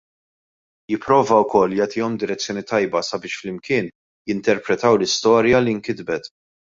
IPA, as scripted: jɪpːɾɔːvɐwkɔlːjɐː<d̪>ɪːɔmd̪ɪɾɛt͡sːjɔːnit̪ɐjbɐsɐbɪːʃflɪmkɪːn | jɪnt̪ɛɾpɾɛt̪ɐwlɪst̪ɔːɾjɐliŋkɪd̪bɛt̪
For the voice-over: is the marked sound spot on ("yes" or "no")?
no